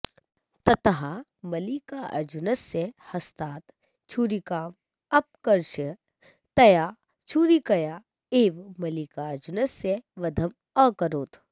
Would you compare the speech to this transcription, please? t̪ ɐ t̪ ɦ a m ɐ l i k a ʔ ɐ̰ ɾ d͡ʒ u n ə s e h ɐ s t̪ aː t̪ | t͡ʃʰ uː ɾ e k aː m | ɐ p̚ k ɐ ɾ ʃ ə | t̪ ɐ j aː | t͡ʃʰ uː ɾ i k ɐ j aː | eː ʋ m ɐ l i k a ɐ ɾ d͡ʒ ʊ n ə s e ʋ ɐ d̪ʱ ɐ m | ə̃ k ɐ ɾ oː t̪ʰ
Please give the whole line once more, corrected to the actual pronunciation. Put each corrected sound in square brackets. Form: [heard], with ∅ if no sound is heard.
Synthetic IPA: t̪ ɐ t̪ ɦ a m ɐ l i k a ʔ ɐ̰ ɾ d͡ʒ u n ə s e h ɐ s t̪ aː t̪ | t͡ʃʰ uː ɾ [i] k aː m | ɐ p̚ k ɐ ɾ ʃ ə | t̪ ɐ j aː | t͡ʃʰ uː ɾ i k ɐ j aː | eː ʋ m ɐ l i k a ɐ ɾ d͡ʒ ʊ n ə s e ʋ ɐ d̪ʱ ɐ m | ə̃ k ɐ ɾ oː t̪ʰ